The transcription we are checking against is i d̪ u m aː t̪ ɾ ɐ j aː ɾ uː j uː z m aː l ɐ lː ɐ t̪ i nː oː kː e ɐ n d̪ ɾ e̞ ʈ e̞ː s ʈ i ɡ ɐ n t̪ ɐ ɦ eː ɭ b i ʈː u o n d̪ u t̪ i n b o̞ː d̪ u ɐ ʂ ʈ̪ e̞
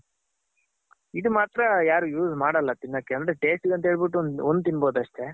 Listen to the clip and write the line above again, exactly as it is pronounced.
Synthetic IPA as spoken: i d̪ u m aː t̪ ɾ ɐ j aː ɾ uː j uː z m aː ɽ ɐ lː ɐ t̪ i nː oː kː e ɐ n d̪ ɾ e̞ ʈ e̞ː s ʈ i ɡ ɐ n t̪ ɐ ɦ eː ɭ b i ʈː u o n d̪ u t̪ i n b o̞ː d̪ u ɐ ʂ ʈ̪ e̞

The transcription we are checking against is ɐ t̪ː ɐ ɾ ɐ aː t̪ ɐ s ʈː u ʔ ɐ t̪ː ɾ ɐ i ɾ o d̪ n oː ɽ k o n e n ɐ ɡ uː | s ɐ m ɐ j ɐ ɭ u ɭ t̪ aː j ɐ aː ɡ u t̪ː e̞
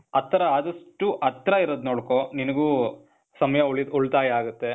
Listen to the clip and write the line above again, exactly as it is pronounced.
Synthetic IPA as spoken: ɐ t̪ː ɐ ɾ ɐ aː d̪ ɐ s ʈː u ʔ ɐ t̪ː ɾ ɐ i ɾ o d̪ n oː ɽ k o n i n ɐ ɡ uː | s ɐ m ɐ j ɐ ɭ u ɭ t̪ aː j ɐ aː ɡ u t̪ː e̞

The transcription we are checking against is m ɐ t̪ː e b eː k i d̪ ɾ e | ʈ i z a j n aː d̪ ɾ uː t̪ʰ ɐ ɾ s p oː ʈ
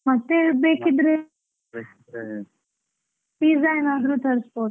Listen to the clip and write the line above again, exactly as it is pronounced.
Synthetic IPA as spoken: m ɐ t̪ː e b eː k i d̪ ɾ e | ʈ i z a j n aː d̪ ɾ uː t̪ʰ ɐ ɾ s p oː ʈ

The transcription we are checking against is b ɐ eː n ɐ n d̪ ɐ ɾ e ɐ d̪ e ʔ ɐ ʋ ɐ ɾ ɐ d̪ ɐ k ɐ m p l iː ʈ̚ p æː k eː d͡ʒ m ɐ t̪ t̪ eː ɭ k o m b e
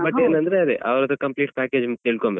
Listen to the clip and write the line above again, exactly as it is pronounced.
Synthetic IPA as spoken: b ɐ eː n ɐ n d̪ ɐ ɾ e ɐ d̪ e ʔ ɐ ʋ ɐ ɾ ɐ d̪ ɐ k ɐ m p l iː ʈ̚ p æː k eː d͡ʒ m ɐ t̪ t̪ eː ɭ k o m b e

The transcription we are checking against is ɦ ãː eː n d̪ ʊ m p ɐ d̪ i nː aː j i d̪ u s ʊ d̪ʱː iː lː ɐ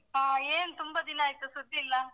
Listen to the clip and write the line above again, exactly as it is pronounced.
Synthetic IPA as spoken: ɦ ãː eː n t̪ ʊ m b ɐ d̪ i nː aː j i t̪ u s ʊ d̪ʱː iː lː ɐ

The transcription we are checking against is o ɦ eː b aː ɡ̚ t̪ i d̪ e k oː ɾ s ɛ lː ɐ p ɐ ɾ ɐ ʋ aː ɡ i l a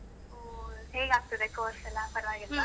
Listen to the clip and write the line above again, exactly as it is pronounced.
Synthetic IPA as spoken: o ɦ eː ɡ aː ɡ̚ t̪ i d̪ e k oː ɾ s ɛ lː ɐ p ɐ ɾ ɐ ʋ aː ɡ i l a

